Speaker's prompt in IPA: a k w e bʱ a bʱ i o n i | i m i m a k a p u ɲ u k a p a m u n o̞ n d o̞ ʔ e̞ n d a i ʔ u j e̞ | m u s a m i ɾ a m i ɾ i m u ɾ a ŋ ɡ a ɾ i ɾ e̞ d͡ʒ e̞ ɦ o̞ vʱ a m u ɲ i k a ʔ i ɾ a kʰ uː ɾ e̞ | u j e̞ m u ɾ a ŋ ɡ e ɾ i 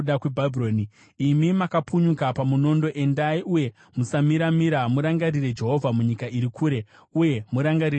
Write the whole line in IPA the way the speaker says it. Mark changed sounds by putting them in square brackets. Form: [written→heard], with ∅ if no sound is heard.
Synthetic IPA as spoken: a k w e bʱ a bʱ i o n i | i m i m a k a p u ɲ u k a p a m u n o̞ n d o̞ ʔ e̞ n d a i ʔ u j e̞ | m u s a m i ɾ a m i ɾ [i→a] m u ɾ a ŋ ɡ a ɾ i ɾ e̞ d͡ʒ e̞ ɦ o̞ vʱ a m u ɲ i k a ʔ i ɾ [a→i] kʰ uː ɾ e̞ | u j e̞ m u ɾ a ŋ ɡ [e→a] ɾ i